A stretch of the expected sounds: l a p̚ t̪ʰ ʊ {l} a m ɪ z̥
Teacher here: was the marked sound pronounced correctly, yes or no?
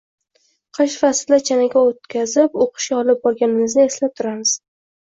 no